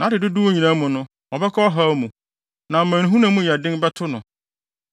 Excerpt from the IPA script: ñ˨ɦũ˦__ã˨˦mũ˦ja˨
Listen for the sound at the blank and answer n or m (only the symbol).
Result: n